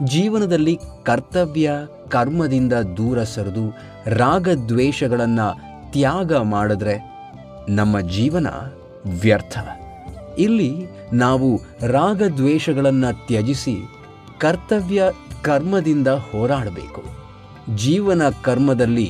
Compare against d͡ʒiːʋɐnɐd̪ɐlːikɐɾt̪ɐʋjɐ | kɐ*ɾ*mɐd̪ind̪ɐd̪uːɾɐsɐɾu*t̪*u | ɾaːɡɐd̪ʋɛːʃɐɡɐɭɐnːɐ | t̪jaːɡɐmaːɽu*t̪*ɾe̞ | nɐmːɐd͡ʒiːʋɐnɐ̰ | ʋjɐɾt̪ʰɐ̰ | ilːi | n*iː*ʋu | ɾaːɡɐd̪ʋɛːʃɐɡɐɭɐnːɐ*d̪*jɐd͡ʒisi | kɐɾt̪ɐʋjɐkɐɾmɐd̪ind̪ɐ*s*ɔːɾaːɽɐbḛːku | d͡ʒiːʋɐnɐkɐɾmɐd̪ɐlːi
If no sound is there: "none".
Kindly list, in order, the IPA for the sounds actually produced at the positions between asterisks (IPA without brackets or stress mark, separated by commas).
ɾ, d̪, d̪, aː, t̪, h